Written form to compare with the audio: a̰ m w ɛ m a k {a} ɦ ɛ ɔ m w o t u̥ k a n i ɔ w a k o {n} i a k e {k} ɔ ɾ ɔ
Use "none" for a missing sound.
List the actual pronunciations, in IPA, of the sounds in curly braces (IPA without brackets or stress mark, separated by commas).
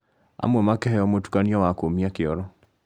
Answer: ɛ, m, none